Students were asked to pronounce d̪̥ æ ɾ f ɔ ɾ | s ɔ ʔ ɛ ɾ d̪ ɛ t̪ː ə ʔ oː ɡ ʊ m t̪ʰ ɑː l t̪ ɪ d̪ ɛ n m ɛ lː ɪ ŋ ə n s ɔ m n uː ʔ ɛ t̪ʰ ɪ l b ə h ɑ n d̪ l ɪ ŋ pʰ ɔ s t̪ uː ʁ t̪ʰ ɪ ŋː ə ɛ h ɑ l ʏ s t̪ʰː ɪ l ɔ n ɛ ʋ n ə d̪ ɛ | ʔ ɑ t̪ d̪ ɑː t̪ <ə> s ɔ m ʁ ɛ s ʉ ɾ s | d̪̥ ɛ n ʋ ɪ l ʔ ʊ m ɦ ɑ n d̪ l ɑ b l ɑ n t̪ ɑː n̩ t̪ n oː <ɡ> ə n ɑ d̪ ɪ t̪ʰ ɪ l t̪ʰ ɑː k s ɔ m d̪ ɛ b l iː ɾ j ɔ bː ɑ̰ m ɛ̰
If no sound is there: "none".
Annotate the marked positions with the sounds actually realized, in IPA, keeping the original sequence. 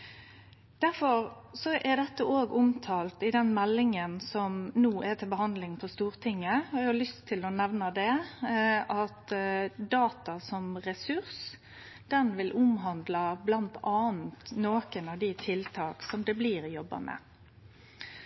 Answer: ɑ, k

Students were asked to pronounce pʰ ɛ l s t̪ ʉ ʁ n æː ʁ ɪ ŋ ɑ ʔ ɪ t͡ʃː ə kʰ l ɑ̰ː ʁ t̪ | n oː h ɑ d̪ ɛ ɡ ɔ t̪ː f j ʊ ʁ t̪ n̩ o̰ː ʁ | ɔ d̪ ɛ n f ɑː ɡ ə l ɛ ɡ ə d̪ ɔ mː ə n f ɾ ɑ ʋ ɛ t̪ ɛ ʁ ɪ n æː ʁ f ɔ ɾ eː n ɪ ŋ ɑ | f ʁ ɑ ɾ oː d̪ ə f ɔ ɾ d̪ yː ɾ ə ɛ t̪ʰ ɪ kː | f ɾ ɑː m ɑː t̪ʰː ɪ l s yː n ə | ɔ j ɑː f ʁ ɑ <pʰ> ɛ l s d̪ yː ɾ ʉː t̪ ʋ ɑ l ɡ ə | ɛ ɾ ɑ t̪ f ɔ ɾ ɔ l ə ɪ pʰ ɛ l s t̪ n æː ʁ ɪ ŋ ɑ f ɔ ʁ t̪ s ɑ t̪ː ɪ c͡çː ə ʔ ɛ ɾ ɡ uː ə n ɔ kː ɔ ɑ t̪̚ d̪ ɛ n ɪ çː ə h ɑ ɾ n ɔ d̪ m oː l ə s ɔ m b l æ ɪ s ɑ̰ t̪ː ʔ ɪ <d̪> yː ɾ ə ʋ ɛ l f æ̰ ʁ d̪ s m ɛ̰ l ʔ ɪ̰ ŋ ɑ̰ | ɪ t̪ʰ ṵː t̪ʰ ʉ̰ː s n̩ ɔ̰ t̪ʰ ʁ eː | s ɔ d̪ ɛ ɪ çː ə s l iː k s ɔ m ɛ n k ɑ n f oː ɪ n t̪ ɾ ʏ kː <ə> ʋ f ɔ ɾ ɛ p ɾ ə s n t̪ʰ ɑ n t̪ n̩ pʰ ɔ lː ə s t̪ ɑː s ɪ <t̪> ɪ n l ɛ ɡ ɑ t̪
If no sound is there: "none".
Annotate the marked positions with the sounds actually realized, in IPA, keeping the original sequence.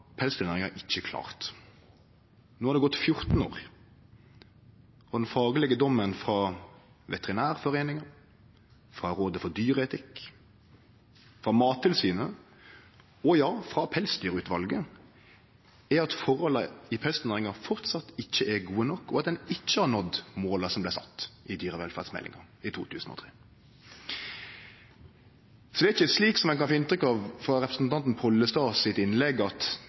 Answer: pʰ, d̪, ɑ, t̪

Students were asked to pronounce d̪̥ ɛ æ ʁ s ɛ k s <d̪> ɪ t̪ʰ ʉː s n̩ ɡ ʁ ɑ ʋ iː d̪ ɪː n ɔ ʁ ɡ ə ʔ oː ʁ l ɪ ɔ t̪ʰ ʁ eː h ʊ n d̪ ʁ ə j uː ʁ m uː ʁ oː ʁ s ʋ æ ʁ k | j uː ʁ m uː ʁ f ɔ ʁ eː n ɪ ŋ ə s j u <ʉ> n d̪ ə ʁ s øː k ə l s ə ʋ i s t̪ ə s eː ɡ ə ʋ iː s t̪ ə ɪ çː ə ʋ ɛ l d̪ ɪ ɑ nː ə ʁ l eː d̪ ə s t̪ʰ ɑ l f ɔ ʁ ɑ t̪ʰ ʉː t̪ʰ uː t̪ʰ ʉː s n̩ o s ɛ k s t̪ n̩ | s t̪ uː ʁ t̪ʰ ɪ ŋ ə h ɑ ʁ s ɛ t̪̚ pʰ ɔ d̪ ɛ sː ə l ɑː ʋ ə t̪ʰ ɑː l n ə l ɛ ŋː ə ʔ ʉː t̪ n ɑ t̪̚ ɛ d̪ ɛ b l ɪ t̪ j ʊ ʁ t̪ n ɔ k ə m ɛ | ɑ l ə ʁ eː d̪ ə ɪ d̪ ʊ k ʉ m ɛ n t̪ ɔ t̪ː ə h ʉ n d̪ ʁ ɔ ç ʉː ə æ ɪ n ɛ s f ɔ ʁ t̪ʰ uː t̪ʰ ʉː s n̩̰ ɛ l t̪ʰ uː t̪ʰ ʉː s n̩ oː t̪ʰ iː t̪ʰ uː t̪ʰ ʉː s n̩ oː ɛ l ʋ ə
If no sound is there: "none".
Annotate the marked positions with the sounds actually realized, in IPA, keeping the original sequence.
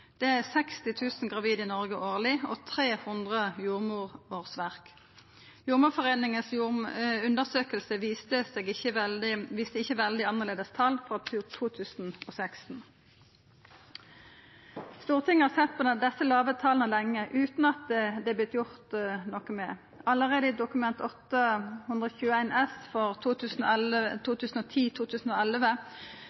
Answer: t̪, ʉ

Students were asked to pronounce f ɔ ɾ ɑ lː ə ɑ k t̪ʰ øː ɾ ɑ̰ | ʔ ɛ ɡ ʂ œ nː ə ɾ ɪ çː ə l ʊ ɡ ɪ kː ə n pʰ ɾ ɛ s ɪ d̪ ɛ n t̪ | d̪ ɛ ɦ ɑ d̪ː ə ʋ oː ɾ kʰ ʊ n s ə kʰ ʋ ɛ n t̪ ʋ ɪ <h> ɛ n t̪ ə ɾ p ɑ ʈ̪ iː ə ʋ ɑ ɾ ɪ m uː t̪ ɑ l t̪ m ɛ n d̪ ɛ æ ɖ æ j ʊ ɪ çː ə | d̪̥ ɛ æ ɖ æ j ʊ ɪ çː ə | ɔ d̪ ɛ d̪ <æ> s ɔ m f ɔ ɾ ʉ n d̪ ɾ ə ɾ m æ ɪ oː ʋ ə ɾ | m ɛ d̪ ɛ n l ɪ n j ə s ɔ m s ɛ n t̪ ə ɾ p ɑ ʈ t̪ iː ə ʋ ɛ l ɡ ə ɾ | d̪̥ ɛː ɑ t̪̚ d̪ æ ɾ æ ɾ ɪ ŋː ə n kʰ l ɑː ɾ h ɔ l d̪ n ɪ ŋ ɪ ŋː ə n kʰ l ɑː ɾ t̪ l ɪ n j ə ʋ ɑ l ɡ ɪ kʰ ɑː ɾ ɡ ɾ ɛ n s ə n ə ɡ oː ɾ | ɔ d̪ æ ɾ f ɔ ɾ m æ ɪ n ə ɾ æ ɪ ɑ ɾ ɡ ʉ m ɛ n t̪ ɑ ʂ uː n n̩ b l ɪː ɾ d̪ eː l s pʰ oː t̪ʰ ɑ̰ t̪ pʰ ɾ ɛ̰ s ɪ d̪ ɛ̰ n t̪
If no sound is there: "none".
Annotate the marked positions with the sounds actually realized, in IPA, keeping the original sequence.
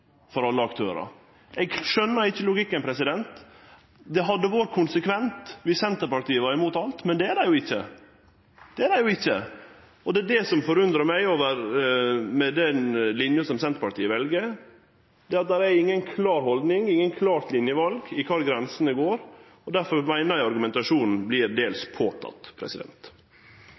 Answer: s, ɛ

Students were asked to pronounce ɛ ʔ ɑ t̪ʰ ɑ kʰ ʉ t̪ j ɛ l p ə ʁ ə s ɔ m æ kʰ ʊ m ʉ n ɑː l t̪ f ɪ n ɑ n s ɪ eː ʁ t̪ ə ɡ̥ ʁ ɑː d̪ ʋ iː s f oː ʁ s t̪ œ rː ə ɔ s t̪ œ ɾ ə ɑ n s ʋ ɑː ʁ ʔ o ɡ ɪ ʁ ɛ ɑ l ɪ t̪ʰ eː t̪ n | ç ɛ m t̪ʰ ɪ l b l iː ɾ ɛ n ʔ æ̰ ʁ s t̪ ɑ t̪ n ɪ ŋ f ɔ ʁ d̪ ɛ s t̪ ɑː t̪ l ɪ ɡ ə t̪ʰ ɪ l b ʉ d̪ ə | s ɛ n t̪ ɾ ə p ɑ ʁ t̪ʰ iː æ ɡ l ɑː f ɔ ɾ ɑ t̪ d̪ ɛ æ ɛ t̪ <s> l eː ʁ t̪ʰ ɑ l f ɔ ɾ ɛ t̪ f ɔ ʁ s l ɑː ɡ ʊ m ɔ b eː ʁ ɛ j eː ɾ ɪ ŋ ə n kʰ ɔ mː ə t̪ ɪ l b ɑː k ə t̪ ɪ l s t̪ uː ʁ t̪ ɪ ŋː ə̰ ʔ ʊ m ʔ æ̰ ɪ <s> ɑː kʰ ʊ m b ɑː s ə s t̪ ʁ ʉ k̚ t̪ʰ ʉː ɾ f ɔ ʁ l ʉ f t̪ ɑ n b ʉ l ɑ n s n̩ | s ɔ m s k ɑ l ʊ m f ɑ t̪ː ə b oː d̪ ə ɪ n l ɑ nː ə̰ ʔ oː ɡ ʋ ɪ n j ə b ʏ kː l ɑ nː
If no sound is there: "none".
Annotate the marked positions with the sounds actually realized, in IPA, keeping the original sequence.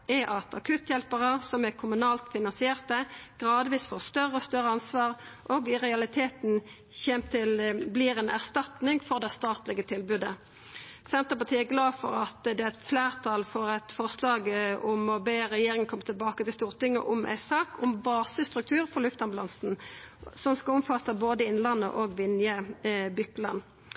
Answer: f, s

